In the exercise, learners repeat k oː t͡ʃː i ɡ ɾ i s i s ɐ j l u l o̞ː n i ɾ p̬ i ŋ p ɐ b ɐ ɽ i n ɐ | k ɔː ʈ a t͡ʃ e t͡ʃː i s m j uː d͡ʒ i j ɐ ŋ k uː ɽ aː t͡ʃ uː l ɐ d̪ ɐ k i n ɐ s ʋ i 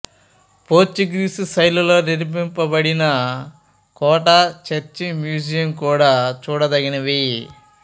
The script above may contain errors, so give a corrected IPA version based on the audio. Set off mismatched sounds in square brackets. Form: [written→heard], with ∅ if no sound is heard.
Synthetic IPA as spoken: [k→p] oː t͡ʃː i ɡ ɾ i s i s ɐ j l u l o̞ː n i ɾ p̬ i [ŋ→m] p ɐ b ɐ ɽ i n ɐ | k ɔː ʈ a t͡ʃ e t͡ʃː i [s→∅] m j uː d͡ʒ i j ɐ [ŋ→m] k uː ɽ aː t͡ʃ uː [l→ɽ] ɐ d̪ ɐ [k→ɡ] i n ɐ [s→∅] ʋ i